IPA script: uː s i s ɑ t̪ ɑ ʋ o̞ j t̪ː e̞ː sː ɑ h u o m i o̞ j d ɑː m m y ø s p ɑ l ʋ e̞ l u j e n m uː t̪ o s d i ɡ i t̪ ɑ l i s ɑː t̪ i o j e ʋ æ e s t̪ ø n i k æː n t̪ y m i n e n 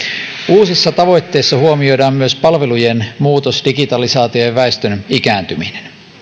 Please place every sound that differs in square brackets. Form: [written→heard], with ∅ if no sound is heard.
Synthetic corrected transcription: uː s i [s→sː] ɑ t̪ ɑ ʋ o̞ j t̪ː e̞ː sː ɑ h u o m i o̞ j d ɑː m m y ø s p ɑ l ʋ e̞ l u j e n m uː t̪ o s d i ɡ i t̪ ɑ l i s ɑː t̪ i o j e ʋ æ e s t̪ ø n i k æː n t̪ y m i n e n